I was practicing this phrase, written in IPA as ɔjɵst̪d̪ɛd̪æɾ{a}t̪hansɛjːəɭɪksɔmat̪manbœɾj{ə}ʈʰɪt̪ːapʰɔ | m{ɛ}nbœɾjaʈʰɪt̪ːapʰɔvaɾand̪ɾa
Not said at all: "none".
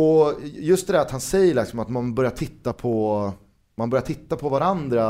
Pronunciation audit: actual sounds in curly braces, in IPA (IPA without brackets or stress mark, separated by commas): a, a, a